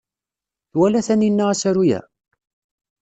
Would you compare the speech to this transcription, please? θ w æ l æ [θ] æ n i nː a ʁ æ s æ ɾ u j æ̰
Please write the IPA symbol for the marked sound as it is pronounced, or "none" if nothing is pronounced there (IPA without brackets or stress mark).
θ